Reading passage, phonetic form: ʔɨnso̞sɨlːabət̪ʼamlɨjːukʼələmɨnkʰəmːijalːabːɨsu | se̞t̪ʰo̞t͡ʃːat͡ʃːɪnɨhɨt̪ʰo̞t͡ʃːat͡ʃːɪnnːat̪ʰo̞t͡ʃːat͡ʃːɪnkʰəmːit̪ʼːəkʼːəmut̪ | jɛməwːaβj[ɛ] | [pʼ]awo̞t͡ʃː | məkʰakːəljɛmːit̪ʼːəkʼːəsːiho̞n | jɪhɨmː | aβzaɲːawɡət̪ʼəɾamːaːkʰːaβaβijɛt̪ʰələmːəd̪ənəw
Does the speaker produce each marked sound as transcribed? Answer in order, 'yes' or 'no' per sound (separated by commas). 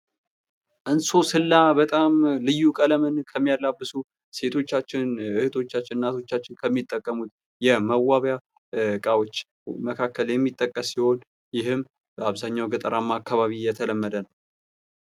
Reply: no, no